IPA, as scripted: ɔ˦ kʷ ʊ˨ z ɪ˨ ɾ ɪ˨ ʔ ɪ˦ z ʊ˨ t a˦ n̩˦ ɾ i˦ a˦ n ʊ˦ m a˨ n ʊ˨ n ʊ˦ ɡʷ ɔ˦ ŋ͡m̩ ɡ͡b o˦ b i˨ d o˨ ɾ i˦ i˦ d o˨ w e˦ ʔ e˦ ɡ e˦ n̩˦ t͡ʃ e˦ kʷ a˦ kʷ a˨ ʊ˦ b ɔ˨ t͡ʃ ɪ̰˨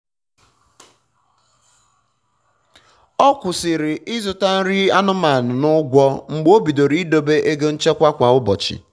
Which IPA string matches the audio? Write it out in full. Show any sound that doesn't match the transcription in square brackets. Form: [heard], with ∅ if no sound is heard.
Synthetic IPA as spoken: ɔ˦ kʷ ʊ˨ [s] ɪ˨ ɾ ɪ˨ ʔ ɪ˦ z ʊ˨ t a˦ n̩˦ ɾ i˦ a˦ n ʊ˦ m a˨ n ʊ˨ n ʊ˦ ɡʷ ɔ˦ ŋ͡m̩ ɡ͡b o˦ b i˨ d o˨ ɾ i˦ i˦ d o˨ [b] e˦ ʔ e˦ ɡ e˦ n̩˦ t͡ʃ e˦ kʷ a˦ kʷ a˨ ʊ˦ b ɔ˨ t͡ʃ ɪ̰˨